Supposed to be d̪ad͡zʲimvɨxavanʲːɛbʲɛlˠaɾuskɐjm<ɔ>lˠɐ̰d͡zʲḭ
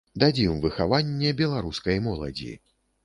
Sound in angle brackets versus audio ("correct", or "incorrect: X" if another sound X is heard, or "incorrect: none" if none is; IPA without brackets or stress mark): correct